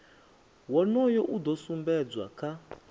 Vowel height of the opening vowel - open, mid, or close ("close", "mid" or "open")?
mid